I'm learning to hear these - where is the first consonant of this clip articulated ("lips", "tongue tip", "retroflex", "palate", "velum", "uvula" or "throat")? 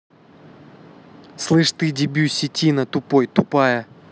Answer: tongue tip